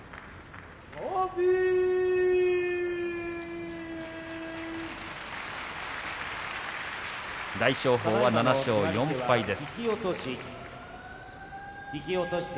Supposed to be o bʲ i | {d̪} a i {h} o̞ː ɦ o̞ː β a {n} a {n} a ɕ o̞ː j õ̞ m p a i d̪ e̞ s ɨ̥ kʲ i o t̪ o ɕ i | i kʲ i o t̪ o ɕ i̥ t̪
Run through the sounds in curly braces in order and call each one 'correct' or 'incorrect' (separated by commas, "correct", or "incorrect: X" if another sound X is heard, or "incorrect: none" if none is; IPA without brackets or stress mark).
correct, incorrect: ɕ, correct, correct